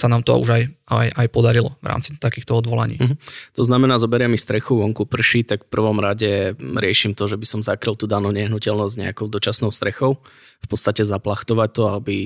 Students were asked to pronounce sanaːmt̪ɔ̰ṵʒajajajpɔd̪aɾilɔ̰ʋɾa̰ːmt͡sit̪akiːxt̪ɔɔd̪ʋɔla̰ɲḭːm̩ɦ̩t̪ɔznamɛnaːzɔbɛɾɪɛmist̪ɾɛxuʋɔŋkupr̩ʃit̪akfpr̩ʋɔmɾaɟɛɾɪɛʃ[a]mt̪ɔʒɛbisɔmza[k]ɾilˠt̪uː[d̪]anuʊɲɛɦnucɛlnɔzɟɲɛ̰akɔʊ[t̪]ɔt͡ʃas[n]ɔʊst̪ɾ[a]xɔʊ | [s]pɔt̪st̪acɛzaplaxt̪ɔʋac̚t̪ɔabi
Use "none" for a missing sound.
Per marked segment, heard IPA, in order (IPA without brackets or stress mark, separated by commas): i, k, d̪, d̪, n, ɛ, f